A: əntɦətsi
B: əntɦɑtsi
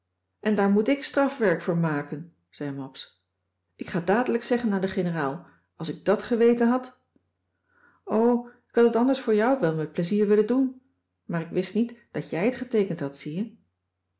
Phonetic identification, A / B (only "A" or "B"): B